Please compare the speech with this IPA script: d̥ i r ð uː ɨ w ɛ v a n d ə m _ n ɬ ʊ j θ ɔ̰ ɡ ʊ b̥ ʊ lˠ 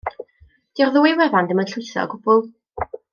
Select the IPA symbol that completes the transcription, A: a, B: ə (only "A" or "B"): B